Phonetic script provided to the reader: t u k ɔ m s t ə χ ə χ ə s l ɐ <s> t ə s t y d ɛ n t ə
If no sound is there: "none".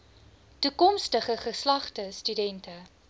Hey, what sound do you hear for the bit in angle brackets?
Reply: χ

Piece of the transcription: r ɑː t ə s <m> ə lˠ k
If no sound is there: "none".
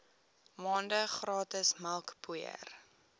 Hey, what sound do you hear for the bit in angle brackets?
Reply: m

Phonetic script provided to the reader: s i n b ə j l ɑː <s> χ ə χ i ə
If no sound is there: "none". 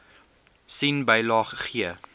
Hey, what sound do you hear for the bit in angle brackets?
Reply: none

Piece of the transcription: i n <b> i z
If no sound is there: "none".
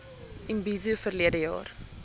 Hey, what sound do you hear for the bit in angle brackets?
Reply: b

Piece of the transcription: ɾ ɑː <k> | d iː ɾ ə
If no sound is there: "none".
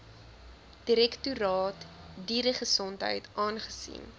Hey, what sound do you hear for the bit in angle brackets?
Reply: t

